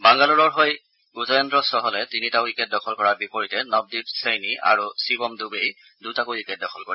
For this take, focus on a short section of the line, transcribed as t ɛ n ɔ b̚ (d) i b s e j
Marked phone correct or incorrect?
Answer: correct